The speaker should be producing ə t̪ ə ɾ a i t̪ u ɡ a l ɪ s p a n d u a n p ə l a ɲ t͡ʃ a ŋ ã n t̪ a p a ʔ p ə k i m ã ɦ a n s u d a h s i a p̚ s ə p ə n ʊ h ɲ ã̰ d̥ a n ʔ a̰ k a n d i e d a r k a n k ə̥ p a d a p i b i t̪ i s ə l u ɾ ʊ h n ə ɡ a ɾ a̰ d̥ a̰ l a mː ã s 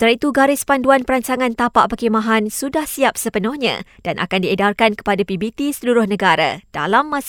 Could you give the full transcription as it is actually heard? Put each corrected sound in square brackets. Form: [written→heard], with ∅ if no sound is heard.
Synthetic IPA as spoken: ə t̪ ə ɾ a i t̪ u ɡ a [l→ɾ] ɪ s p a n d u a n p ə [l→ɾ] a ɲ t͡ʃ a ŋ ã n t̪ a p a ʔ p ə k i m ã ɦ a n s u d a h s i a p̚ s ə p ə n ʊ h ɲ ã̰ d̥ a n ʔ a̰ k a n d i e d a r k a n k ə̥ p a d a p i b i t̪ i s ə l u ɾ ʊ h n ə ɡ a ɾ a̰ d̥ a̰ l a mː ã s